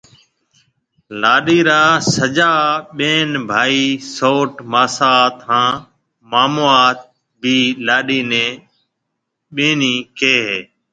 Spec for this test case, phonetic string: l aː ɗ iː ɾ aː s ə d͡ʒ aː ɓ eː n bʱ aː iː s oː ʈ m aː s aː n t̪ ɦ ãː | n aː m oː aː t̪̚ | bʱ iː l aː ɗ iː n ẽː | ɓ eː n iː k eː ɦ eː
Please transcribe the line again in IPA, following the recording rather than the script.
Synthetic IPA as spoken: l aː ɗ iː ɾ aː s ə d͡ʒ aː ɓ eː n bʱ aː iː s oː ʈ m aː s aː t̪ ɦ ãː | m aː m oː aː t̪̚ | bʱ iː l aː ɗ iː n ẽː | ɓ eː n iː k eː ɦ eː